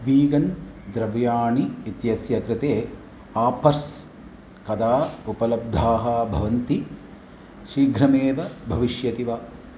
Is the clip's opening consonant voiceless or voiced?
voiced